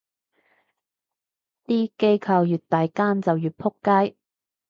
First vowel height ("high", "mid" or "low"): high